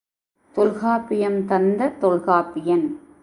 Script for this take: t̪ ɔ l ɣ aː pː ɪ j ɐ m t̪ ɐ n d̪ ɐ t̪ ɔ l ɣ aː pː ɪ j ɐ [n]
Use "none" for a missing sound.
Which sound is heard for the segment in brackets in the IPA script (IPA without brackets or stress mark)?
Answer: n